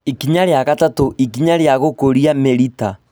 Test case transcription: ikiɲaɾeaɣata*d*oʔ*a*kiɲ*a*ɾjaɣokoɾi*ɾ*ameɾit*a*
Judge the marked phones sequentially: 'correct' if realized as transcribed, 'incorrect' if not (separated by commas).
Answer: incorrect, incorrect, correct, incorrect, correct